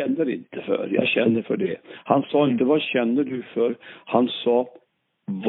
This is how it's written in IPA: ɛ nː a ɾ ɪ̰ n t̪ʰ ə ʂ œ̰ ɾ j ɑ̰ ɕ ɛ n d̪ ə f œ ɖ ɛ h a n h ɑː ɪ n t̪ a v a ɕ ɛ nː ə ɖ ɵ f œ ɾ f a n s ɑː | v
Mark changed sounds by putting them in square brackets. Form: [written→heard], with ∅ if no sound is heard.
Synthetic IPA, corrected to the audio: ɛ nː [a→ə] ɾ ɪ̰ n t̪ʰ ə [ʂ→f] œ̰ ɾ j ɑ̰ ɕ ɛ n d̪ ə f œ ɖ ɛ h a n [h→s] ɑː ɪ n t̪ [a→ə] v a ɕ ɛ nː ə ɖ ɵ f œ ɾ [f→h] a n s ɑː | v